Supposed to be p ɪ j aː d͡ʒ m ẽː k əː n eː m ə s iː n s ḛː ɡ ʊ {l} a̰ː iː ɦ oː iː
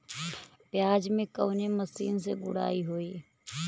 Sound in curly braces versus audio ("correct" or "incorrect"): incorrect